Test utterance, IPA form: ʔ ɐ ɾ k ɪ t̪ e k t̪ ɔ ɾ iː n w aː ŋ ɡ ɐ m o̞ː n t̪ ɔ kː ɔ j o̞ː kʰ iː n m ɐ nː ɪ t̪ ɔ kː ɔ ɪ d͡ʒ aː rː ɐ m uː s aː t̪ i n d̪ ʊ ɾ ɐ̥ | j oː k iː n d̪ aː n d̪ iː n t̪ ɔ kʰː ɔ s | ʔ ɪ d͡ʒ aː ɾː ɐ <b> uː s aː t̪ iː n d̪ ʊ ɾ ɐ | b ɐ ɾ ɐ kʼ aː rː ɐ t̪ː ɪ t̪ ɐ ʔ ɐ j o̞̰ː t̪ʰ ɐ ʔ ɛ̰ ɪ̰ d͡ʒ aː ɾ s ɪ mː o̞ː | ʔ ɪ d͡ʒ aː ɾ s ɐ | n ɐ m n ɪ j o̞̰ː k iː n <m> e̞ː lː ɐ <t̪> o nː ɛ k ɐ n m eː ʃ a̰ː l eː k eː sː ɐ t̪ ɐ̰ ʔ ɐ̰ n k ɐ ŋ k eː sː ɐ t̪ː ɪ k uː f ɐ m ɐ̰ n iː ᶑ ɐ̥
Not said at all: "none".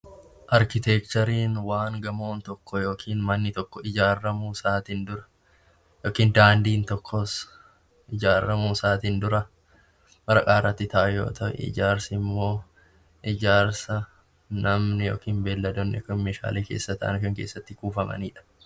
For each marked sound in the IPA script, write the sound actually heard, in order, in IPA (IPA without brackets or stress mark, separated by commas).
m, b, d̪